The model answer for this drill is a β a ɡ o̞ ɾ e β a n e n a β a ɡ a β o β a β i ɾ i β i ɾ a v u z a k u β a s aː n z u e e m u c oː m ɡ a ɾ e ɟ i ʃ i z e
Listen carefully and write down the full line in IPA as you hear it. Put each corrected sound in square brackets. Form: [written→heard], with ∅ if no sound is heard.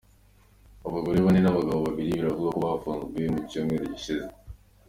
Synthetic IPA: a β a ɡ o̞ ɾ e β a n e n a β a ɡ a β o β a β i ɾ i β i ɾ a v u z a k u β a [s→f] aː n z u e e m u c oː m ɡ [a→e] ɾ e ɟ i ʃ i z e